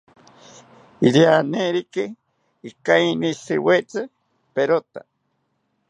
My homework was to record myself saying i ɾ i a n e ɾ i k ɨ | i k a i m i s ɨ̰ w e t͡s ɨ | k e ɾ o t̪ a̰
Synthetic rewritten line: i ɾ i a n e ɾ i k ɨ | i k a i n i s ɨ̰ w e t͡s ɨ | p e ɾ o t̪ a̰